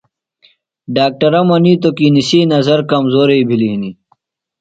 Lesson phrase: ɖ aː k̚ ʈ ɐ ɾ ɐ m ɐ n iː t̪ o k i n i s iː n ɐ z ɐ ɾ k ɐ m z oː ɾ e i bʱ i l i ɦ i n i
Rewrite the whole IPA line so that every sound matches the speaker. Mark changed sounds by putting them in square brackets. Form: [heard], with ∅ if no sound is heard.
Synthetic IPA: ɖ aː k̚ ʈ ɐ ɾ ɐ m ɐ n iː t̪ o k i n i s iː n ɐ z ɐ ɾ k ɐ m z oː ɾ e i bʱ i l i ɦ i n i